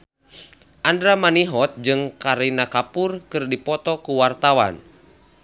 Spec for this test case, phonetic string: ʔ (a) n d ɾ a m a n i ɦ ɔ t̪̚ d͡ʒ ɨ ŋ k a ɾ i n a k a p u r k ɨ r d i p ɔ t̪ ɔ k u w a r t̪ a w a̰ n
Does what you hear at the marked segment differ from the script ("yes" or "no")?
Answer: no